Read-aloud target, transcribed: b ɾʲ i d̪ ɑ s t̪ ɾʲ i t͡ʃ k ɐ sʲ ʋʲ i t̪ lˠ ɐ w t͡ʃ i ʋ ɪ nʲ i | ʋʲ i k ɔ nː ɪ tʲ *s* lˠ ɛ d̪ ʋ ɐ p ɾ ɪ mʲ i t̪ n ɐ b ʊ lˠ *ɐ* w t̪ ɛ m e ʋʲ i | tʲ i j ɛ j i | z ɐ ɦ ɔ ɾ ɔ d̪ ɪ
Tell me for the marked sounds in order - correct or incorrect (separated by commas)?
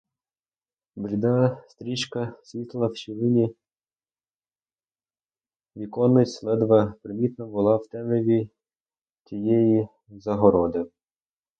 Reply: correct, incorrect